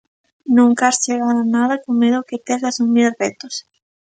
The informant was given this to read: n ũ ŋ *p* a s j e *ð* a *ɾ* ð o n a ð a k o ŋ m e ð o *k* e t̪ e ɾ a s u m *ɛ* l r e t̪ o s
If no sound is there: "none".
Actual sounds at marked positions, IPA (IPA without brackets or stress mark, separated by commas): k, ɣ, none, k, i